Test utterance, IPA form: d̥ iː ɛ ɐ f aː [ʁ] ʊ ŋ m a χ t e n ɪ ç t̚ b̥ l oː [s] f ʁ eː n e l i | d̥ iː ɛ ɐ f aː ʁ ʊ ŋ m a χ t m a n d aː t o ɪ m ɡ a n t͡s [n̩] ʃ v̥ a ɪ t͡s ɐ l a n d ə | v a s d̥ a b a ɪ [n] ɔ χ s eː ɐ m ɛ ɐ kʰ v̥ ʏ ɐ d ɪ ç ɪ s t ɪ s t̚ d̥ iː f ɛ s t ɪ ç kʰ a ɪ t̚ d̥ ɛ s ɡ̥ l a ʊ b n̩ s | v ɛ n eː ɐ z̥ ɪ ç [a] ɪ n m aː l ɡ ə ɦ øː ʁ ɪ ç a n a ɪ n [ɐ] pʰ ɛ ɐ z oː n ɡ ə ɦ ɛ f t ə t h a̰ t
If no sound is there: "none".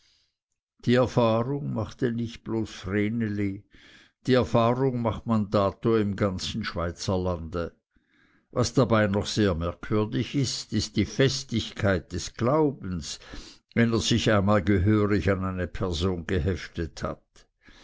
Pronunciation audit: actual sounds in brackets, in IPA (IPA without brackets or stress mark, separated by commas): ʁ, s, n̩, n, a, ə